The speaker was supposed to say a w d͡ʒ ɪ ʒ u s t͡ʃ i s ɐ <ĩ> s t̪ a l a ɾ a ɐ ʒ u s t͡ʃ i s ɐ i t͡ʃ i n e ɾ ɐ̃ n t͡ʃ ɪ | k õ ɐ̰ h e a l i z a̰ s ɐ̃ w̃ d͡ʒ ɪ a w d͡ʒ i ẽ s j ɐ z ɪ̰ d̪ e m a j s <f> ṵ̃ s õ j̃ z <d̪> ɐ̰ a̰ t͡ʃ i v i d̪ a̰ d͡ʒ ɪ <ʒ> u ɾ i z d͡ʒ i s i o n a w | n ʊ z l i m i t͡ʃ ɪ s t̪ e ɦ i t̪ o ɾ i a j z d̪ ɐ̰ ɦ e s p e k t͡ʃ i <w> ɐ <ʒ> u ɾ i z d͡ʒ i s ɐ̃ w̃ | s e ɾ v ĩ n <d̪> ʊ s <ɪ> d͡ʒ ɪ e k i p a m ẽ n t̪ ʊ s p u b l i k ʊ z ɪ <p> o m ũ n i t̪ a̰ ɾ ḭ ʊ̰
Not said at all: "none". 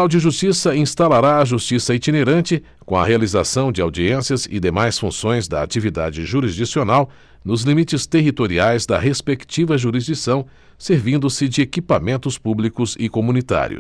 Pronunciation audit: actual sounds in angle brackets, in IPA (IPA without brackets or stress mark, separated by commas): ĩ, f, d̪, ʒ, v, ʒ, d̪, ɪ, k